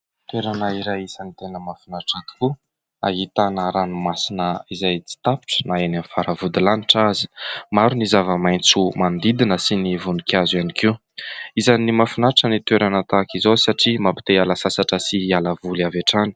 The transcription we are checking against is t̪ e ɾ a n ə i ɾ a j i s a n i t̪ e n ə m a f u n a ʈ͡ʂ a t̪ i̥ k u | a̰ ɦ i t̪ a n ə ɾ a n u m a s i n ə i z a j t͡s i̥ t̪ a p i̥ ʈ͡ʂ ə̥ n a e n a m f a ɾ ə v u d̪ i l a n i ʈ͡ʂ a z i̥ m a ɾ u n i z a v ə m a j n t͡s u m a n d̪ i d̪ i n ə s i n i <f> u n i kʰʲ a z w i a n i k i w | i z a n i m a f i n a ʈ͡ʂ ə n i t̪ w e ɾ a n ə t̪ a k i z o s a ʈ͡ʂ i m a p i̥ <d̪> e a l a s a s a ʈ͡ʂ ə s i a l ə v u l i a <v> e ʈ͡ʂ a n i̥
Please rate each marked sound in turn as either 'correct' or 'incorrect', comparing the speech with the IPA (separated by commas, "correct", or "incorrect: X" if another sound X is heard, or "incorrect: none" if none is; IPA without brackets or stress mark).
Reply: incorrect: v, incorrect: t̪, correct